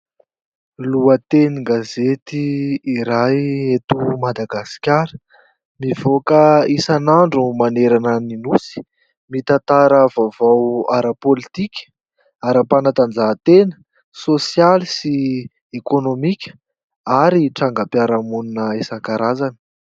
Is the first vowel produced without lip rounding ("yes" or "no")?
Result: no